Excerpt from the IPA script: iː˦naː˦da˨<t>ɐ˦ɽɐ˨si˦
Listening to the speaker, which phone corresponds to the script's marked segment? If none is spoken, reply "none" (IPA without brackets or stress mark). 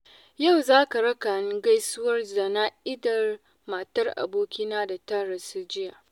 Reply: t